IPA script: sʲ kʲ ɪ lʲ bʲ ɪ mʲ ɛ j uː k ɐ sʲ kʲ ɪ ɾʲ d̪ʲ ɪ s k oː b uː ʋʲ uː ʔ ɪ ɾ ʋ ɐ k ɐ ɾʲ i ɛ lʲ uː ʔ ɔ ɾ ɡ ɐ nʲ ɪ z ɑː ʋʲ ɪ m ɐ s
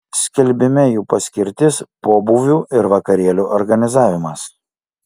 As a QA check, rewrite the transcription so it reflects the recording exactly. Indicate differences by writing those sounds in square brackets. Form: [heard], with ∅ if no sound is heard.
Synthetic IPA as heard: sʲ kʲ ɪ lʲ bʲ ɪ mʲ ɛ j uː [p] ɐ sʲ kʲ ɪ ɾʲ [t̪ʲ] ɪ s [p] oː b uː ʋʲ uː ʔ ɪ ɾ ʋ ɐ k ɐ ɾʲ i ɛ lʲ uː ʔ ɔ ɾ ɡ ɐ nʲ ɪ z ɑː ʋʲ ɪ m ɐ s